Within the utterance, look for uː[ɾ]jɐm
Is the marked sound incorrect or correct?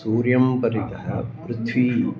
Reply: correct